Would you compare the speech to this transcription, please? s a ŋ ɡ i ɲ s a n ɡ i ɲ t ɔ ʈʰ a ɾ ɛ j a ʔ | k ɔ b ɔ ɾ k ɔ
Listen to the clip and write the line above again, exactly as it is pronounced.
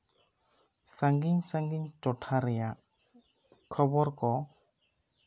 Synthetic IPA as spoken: s a ŋ ɡ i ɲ s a ŋ ɡ i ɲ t ɔ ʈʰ a ɾ ɛ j a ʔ | kʰ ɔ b ɔ ɾ k ɔ